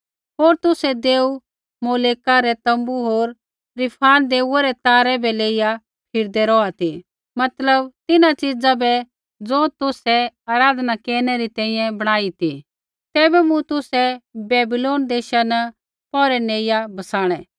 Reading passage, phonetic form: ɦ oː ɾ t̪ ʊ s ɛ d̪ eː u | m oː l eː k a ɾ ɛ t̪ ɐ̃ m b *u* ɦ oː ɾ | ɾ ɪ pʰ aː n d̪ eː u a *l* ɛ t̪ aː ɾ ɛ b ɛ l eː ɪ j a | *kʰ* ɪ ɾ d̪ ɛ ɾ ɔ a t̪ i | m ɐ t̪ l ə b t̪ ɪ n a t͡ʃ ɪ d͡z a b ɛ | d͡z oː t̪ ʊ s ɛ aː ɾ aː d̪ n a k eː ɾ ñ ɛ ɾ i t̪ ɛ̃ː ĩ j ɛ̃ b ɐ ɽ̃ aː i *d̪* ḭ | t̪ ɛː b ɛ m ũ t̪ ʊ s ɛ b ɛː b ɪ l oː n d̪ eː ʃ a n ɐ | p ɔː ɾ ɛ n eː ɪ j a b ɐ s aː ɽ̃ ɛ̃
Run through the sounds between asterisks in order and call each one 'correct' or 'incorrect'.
correct, incorrect, incorrect, incorrect

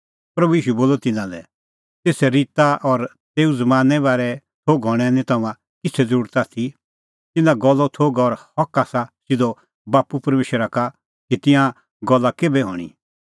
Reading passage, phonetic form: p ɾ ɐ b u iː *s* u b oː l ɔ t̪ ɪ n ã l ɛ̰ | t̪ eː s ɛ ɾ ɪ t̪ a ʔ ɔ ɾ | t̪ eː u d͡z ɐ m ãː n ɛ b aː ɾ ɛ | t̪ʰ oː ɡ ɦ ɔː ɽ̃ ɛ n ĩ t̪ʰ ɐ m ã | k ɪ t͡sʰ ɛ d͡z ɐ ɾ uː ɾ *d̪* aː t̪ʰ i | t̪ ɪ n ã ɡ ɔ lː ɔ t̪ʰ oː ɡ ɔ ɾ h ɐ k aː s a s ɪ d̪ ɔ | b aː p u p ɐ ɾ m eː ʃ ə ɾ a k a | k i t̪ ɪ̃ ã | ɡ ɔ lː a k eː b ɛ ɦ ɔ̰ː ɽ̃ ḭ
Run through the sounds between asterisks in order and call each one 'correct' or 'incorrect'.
incorrect, incorrect

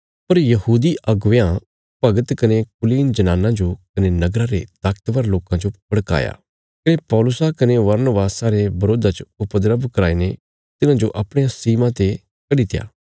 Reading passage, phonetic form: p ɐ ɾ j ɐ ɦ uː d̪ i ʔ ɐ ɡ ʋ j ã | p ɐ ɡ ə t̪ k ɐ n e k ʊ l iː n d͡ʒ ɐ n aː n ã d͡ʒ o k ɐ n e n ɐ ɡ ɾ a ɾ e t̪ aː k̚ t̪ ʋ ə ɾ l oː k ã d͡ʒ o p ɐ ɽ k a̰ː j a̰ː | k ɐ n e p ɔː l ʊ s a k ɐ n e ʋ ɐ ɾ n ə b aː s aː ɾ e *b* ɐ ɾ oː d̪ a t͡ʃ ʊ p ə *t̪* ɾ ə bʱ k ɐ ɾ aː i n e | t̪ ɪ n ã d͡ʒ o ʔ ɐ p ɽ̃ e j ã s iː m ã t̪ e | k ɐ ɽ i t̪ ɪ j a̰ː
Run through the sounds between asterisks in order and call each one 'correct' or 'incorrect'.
correct, incorrect

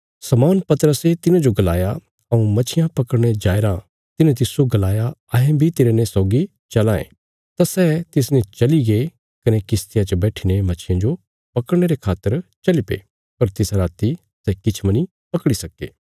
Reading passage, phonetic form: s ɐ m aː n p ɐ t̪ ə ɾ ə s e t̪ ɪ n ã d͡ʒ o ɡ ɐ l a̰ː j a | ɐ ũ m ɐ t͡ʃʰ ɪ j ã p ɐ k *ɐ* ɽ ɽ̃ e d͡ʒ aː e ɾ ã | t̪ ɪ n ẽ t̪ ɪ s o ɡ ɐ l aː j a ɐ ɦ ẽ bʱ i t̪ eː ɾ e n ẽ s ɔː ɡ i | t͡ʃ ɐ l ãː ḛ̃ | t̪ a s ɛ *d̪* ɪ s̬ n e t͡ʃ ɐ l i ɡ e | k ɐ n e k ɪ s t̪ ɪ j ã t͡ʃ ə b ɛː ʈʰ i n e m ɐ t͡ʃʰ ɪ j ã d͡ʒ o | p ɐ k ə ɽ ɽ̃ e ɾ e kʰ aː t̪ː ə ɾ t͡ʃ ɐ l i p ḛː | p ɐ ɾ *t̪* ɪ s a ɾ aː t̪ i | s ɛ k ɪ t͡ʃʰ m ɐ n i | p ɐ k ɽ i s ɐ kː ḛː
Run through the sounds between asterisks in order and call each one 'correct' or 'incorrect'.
incorrect, incorrect, correct

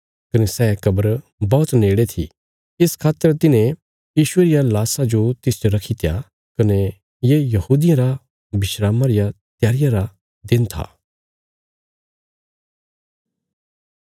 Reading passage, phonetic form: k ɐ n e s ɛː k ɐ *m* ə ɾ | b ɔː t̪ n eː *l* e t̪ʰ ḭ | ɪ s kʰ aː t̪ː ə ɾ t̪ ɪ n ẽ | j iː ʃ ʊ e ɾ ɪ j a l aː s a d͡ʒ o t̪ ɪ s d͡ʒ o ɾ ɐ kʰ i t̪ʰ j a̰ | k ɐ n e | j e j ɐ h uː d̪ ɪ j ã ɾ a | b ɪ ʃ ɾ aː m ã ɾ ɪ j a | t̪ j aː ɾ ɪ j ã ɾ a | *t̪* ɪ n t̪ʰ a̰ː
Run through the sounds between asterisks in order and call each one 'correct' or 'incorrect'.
incorrect, incorrect, incorrect

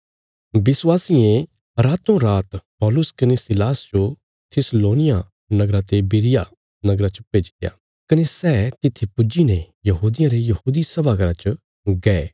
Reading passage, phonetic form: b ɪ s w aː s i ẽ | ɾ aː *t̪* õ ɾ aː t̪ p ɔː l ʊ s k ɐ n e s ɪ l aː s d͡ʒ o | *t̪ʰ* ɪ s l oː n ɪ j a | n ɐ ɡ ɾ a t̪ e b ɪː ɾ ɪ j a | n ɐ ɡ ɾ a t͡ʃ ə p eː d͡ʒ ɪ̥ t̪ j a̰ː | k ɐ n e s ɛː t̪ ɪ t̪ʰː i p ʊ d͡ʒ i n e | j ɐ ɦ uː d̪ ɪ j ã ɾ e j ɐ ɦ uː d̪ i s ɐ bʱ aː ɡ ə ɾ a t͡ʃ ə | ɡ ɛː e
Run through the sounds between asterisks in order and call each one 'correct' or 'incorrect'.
correct, correct

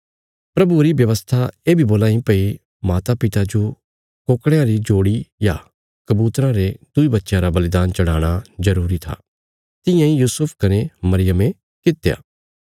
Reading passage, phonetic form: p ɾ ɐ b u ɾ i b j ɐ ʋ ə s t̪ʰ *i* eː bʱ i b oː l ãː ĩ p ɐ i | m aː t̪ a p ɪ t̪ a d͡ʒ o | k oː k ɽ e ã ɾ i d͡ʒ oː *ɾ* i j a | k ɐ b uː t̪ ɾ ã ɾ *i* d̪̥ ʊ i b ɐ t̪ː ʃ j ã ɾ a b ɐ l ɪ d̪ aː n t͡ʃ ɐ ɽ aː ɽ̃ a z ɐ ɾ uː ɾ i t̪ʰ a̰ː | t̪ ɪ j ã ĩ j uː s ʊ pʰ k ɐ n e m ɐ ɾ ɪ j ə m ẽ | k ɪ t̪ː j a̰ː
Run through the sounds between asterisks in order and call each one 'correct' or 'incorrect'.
incorrect, incorrect, incorrect

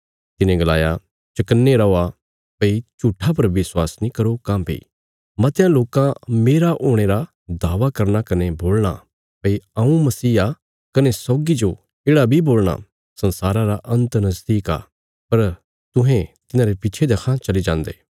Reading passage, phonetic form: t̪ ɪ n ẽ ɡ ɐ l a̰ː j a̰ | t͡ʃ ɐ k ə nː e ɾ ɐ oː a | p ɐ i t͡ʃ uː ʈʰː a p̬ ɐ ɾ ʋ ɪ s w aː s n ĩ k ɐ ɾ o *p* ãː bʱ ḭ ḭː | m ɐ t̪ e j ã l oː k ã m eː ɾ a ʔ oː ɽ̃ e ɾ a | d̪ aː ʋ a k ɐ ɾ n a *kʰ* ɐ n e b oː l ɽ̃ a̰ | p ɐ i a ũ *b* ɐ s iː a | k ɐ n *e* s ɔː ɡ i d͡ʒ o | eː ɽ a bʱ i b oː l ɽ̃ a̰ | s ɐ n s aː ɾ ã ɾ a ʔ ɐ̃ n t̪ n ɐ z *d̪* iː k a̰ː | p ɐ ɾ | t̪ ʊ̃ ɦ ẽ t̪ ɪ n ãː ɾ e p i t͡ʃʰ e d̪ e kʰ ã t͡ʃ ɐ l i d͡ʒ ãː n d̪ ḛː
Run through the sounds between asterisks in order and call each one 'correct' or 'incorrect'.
incorrect, incorrect, incorrect, correct, correct

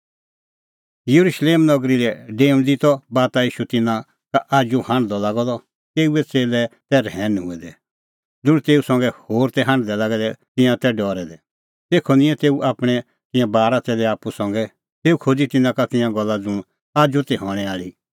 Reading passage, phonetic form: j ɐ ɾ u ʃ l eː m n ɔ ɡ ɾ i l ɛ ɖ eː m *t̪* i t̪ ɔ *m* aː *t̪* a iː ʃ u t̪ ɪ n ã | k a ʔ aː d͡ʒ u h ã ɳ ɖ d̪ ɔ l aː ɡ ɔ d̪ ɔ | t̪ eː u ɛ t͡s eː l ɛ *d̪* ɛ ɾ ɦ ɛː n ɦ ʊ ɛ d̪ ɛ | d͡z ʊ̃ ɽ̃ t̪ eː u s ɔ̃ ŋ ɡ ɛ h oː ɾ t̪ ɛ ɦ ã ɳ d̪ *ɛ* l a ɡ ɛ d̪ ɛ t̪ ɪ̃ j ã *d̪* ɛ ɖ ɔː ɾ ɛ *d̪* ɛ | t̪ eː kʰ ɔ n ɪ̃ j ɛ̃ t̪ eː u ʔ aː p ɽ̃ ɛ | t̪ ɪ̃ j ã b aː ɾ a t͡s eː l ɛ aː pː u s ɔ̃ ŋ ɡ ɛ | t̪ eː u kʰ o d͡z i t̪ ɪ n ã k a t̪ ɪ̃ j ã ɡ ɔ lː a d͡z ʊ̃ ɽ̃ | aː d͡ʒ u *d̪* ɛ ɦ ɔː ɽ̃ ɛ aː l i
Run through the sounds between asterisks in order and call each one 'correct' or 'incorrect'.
incorrect, incorrect, correct, incorrect, correct, incorrect, correct, incorrect

